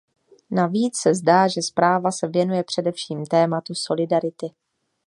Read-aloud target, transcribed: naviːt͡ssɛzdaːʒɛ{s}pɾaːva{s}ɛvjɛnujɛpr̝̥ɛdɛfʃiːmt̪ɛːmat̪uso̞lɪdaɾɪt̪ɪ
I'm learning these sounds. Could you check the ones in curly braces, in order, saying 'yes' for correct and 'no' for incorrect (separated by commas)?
yes, yes